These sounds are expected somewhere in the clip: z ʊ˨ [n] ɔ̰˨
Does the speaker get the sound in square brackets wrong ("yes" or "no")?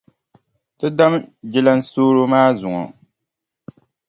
yes